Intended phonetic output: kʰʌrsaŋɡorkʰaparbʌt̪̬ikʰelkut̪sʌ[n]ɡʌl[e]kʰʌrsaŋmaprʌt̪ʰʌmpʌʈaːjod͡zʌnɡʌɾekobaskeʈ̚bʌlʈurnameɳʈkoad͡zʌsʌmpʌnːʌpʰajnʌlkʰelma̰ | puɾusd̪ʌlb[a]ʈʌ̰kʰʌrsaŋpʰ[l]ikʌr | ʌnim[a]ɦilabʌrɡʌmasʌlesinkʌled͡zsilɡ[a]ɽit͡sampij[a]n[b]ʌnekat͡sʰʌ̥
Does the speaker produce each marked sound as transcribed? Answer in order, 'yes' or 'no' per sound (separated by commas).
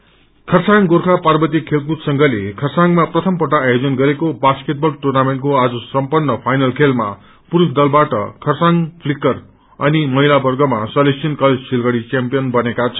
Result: no, yes, yes, yes, no, no, no, yes